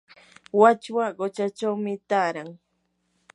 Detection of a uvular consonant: present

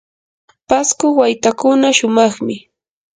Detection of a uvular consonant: present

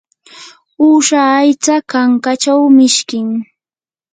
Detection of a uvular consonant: absent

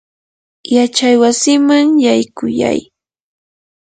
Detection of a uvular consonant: absent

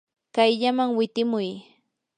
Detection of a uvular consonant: absent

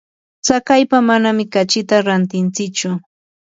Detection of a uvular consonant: absent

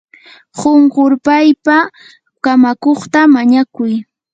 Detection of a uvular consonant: present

